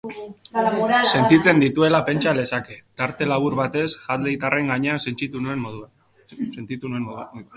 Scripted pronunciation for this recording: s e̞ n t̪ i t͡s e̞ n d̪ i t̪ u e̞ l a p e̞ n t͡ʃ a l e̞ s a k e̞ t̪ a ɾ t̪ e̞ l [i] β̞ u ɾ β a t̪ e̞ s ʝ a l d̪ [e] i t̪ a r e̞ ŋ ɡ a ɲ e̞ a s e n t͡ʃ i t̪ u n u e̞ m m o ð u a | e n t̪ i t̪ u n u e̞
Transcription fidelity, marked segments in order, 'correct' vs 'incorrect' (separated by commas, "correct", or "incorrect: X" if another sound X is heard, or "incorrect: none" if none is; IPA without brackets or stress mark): incorrect: a, correct